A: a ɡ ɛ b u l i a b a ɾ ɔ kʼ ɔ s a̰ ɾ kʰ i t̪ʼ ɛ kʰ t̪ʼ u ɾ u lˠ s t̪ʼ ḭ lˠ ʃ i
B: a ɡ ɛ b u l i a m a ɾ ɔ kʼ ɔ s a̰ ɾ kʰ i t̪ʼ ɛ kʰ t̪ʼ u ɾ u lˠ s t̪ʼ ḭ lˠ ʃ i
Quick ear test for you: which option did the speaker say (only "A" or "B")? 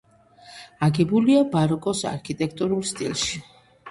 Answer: A